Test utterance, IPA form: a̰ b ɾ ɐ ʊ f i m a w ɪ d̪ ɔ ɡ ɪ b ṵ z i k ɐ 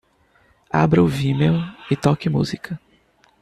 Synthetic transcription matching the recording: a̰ b ɾ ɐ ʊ v i m e w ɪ t̪ ɔ k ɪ m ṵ z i k ɐ